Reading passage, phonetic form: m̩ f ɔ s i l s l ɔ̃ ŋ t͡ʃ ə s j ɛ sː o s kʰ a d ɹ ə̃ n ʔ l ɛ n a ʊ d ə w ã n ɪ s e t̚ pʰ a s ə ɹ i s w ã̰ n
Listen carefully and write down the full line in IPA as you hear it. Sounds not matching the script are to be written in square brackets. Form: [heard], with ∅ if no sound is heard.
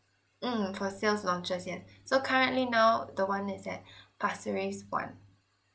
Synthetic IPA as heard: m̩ f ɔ s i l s l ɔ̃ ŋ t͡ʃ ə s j ɛ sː o [∅] kʰ a [∅] ɹ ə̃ n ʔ l [i] n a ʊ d ə w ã n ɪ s [ɛ] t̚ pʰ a s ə ɹ i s w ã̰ n